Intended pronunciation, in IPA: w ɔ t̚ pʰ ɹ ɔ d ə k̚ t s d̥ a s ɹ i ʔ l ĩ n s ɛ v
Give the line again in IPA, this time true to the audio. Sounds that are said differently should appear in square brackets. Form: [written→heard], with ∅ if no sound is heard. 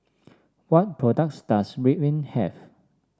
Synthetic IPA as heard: w ɔ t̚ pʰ ɹ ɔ d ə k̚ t s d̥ a s ɹ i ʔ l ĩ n [s→h] ɛ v

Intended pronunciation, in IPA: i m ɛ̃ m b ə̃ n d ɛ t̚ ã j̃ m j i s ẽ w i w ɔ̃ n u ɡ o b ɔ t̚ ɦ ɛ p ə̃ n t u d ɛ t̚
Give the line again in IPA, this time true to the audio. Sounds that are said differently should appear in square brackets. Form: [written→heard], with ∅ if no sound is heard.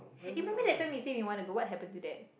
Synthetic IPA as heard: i m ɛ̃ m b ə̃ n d ɛ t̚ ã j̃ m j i s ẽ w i w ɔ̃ n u ɡ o [b→w] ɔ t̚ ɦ ɛ p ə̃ n t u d ɛ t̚

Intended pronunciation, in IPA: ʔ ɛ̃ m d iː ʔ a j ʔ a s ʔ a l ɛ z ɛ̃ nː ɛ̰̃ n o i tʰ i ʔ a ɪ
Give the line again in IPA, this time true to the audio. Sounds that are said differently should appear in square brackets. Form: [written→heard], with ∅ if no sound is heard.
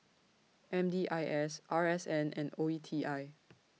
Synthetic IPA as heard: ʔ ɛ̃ m d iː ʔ a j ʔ [a→ɛ] s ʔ a [l→ɹ] ɛ [z→s] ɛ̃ [nː→n] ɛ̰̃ n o i tʰ i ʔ a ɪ

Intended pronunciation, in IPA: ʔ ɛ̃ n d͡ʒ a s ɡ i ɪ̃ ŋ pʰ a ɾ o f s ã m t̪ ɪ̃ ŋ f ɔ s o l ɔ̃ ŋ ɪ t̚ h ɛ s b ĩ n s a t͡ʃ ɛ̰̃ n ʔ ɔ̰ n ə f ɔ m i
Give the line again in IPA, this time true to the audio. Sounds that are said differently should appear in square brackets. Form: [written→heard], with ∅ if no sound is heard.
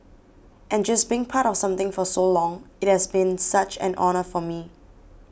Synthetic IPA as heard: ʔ ɛ̃ n d͡ʒ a s [ɡ→b] i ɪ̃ ŋ pʰ a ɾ [o→ɔ] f s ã m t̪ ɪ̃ ŋ f ɔ s o l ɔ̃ ŋ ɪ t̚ h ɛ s b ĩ n s a t͡ʃ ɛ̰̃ n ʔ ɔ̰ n ə f ɔ m i

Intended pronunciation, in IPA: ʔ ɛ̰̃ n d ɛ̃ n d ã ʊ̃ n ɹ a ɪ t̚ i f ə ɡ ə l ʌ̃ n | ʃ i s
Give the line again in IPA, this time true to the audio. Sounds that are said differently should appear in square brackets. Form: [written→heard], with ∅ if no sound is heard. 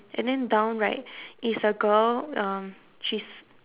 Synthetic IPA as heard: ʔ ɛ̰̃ n d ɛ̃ n d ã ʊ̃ n ɹ a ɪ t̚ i [f→s] ə ɡ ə l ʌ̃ [n→m] | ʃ i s

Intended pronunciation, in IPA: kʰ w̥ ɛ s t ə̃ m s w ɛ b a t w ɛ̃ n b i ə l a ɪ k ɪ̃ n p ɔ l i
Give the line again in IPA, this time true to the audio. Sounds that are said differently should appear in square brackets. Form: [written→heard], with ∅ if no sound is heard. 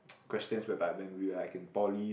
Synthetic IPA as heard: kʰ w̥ ɛ s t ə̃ [m→n] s w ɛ b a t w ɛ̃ n [b→w] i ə l a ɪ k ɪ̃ n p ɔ l i

